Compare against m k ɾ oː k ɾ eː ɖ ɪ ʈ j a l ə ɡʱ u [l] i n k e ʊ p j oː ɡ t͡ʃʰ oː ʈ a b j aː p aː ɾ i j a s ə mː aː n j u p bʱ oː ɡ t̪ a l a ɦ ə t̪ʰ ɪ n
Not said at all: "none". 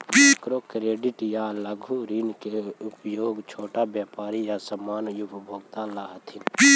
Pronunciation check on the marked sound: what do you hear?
ɾ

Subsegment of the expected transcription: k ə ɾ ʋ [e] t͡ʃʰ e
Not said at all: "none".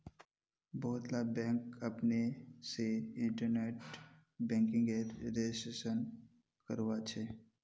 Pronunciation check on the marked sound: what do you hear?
a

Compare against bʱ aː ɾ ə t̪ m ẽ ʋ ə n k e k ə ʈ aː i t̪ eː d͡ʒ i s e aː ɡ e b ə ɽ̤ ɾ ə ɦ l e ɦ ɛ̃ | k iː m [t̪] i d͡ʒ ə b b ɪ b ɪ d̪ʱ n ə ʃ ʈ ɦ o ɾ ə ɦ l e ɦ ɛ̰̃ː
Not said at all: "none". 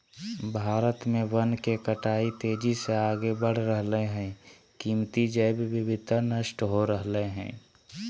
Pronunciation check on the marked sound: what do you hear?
t̪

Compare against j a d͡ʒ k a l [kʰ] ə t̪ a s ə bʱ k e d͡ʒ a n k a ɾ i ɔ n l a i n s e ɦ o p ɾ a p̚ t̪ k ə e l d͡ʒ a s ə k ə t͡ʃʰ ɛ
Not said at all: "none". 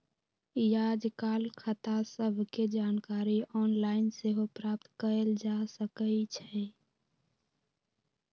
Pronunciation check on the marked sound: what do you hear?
kʰ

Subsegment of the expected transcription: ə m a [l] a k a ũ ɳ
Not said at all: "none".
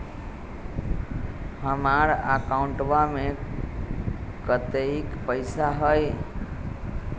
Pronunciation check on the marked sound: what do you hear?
ɾ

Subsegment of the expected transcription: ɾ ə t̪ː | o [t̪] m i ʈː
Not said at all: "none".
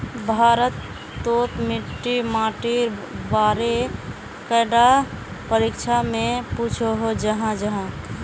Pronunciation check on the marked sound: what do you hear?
t̪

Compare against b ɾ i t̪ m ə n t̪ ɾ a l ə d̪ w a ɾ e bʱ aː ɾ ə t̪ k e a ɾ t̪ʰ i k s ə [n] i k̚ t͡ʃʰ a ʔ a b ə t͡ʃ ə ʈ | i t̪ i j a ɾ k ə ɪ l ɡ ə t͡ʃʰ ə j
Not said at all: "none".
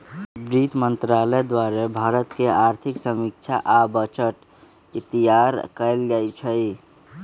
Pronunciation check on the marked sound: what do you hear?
m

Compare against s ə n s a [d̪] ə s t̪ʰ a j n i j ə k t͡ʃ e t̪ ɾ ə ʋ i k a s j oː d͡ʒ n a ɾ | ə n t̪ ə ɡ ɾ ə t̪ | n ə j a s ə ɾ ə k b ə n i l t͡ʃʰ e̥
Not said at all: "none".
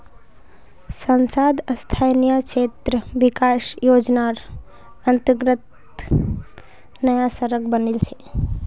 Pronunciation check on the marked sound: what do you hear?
d̪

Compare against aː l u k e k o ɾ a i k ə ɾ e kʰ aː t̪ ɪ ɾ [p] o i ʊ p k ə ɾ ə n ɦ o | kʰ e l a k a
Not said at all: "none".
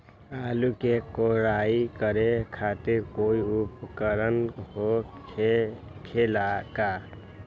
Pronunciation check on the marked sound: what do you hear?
k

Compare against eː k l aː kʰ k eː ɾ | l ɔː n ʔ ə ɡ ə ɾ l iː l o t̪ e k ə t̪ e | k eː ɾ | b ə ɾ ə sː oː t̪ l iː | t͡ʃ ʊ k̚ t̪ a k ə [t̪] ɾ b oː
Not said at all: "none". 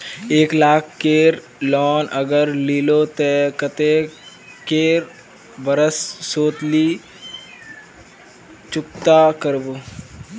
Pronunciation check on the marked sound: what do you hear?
none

